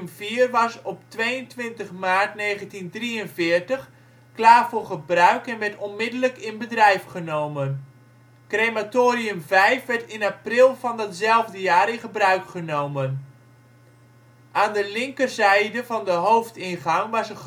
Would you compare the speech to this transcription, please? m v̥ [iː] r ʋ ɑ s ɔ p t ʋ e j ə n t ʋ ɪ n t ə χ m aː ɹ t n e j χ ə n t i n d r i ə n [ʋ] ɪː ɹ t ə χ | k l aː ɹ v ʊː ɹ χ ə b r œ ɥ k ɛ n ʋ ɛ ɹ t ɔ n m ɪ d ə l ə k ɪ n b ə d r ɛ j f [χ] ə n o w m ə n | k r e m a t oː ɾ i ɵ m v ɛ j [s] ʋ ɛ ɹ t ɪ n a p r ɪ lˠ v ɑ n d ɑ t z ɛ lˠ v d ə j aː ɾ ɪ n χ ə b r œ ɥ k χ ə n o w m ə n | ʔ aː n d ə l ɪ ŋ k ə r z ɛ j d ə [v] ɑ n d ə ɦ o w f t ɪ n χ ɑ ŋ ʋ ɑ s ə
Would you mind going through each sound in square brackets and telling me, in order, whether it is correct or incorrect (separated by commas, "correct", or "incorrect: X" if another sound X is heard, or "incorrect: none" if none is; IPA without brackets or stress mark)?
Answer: correct, incorrect: v, correct, incorrect: f, correct